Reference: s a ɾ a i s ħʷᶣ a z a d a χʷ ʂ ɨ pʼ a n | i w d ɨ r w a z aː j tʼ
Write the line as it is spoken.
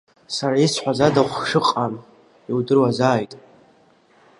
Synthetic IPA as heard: s a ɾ a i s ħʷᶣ a z a d a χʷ ʂ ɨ qʼ a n | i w d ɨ r w a z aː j tʼ

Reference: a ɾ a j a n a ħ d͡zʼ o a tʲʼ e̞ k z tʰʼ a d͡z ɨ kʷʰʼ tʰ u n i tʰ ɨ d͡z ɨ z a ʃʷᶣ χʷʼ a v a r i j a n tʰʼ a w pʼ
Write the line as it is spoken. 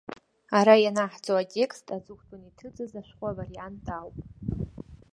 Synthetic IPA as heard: a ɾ a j a n a ħ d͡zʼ o a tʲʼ e̞ k s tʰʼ a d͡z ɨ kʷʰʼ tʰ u n i tʰ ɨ d͡z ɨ z a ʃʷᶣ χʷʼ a v a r i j a n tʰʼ a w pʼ

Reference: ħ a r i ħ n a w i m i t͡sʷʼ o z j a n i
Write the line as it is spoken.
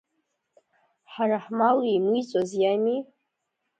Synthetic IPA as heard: ħ a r a ħ m a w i m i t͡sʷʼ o z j a m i

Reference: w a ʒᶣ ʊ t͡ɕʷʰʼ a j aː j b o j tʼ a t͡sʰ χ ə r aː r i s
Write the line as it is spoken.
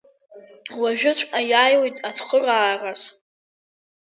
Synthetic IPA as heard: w a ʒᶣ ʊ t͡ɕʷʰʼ a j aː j w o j tʼ a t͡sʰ χ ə r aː r a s

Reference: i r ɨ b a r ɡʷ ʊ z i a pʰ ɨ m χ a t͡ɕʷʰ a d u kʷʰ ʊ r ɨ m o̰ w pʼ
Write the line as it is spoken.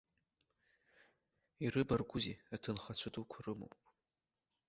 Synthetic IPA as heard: i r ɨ b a r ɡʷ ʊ z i a tʰ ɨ n χ a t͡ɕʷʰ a d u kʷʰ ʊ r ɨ m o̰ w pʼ

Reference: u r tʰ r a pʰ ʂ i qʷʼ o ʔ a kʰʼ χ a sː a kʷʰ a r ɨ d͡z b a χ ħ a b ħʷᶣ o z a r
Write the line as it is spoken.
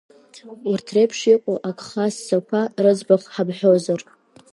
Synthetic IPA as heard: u r tʰ r e pʰ ʂ i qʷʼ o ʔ a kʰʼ χ a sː a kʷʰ a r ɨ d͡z b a χ ħ a b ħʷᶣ o z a r

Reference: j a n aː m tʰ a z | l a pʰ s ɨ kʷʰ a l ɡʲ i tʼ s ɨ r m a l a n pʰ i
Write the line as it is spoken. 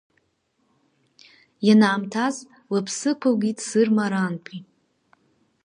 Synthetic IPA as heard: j a n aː m tʰ a z | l a pʰ s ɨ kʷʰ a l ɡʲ i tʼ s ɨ r m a ɾ a n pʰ i

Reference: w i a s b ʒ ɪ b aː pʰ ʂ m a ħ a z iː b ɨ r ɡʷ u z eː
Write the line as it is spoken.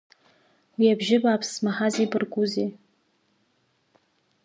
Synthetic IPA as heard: w i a b ʒ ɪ b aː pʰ s m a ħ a z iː b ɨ r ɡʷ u z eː

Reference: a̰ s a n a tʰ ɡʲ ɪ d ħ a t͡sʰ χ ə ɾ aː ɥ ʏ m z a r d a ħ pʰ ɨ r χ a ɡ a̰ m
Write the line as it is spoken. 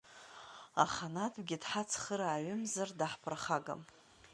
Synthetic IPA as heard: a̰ χ a n a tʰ ɡʲ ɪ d ħ a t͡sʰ χ ə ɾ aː ɥ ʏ m z a r d a ħ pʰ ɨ r χ a ɡ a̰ m

